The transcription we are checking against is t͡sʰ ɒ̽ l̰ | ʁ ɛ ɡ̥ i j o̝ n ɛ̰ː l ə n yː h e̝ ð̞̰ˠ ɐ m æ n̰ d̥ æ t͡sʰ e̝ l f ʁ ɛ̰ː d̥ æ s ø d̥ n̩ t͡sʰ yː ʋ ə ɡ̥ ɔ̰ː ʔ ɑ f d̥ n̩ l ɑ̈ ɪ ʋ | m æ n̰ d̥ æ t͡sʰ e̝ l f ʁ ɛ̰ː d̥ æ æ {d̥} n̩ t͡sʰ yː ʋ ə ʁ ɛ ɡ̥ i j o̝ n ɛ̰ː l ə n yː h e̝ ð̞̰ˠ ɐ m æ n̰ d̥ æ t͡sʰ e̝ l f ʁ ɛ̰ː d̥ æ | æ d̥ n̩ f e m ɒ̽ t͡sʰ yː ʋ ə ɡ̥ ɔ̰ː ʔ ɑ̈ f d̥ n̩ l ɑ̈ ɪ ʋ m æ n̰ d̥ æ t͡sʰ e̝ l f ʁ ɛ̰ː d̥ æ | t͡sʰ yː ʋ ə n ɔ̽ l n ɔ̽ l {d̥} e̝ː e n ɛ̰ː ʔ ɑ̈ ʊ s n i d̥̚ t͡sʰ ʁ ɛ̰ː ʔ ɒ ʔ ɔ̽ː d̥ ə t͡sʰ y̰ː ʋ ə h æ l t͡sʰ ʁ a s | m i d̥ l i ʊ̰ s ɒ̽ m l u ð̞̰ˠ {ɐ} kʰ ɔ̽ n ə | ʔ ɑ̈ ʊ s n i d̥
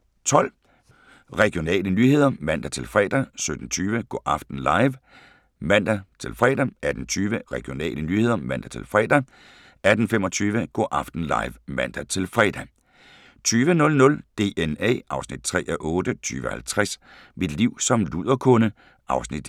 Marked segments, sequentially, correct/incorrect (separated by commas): correct, correct, correct